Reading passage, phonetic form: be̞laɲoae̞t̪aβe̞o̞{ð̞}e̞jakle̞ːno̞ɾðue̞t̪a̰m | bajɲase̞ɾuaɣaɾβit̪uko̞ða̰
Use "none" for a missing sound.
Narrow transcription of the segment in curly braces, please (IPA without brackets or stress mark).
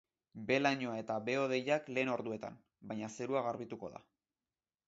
ð̞